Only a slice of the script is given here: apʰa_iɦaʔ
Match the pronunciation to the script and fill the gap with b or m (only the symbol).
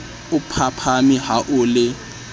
m